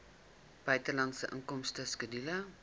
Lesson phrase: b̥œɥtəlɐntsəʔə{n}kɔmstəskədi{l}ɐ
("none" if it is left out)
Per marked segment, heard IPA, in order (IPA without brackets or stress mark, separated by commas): ŋ, l